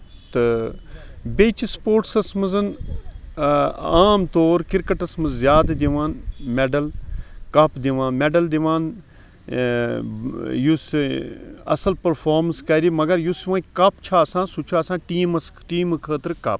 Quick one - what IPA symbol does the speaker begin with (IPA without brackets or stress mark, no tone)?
t̪